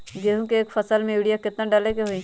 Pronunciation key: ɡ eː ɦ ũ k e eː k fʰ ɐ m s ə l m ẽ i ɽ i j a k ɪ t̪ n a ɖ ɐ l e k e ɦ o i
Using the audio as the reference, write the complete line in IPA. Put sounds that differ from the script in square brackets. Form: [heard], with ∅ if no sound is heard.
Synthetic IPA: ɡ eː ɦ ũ k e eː k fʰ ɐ [∅] s ə l m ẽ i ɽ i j a k ɪ t̪ n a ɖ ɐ l e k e ɦ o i